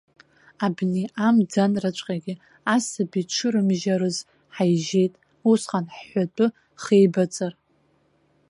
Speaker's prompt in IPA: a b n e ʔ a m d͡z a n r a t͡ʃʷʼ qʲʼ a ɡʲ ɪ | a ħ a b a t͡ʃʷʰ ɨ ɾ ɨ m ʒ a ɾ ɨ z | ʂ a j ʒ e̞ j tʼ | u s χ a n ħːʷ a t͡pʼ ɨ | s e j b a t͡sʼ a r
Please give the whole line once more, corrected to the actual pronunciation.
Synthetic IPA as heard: a b n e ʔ a m d͡z a n r a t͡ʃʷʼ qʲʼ a ɡʲ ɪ | a s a b i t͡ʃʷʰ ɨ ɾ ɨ m ʒ a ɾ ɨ z | ħ a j ʒ e̞ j tʼ | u s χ a n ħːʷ a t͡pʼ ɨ | χ e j b a t͡sʼ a r